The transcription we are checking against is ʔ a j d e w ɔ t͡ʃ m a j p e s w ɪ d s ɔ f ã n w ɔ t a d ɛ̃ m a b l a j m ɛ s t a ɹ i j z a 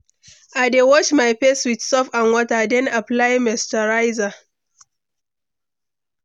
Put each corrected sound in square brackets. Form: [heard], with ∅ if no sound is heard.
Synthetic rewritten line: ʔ a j d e w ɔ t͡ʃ m a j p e s w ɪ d s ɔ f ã n w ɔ t a d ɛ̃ [n] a [p] l a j m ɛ s t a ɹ [a] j z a